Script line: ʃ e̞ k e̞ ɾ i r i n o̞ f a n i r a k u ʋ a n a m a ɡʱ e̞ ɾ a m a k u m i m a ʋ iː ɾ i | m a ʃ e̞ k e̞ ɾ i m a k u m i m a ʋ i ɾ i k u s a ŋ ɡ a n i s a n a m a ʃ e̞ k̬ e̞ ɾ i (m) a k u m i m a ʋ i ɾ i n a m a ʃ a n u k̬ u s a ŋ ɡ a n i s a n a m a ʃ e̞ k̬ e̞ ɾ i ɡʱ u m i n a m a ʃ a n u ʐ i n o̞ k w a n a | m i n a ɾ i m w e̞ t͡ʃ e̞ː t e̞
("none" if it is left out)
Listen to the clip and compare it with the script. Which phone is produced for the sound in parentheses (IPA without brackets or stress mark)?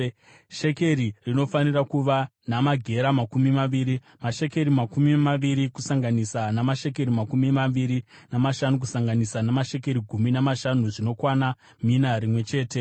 m